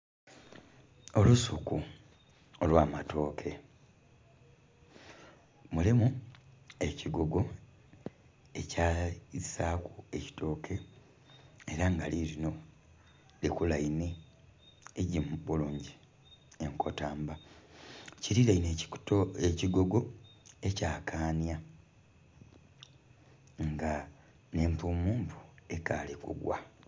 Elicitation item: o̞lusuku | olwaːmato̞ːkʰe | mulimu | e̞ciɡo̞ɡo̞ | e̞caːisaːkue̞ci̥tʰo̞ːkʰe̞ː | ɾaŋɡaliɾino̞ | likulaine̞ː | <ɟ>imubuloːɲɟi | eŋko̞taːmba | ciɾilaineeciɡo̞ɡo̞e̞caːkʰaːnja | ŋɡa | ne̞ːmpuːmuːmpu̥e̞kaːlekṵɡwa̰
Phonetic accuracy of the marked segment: correct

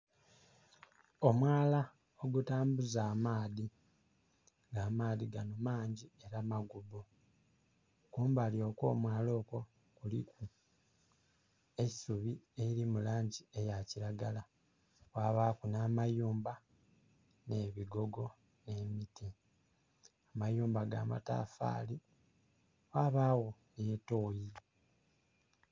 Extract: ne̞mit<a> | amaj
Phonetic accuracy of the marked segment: incorrect: i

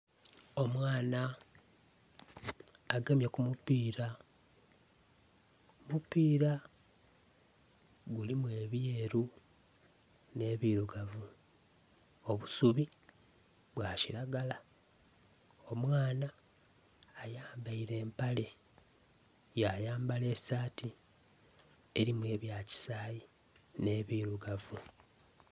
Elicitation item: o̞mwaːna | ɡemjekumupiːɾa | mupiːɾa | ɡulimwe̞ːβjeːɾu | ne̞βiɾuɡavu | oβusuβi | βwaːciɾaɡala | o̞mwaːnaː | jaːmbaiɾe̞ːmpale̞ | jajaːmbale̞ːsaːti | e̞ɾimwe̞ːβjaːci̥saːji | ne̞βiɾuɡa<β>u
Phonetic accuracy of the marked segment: incorrect: v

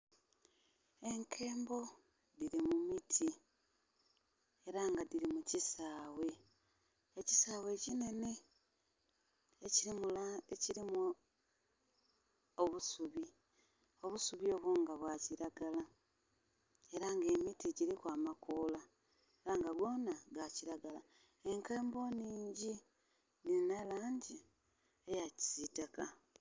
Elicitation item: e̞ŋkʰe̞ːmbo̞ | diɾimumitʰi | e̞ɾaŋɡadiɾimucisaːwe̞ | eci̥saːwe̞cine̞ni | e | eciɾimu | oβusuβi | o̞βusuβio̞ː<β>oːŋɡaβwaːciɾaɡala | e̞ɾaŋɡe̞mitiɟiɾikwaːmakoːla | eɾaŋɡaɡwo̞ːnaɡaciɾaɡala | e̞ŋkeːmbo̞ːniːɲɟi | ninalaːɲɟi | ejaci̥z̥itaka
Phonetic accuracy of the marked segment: correct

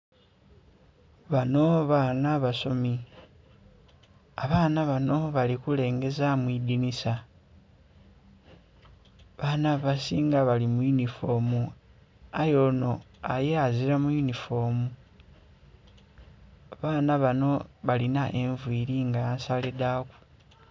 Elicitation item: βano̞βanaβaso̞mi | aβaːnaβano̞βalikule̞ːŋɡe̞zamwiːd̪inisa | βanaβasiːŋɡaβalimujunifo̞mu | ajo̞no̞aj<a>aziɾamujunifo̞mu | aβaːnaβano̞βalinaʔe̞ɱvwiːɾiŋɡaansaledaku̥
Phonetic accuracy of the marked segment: incorrect: e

